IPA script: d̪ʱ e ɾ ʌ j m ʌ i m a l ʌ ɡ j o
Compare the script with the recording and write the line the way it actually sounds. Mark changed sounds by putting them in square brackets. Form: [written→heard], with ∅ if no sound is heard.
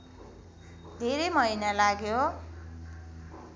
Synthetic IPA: d̪ʱ e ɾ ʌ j m ʌ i [m→n] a l [ʌ→a] ɡ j o